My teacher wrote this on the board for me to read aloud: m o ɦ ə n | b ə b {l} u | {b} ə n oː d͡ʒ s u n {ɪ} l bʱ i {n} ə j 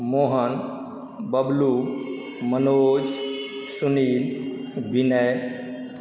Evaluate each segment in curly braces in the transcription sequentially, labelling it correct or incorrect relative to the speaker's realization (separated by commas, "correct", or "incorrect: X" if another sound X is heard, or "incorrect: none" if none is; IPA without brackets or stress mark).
correct, incorrect: m, incorrect: i, correct